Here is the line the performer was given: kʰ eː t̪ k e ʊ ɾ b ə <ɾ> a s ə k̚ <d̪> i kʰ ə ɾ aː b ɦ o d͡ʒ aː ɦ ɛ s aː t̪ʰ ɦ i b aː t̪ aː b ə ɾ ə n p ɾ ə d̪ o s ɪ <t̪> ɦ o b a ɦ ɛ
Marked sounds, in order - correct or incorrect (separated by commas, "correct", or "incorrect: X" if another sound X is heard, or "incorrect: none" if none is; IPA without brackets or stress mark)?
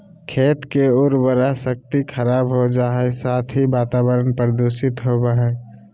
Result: correct, incorrect: t̪, correct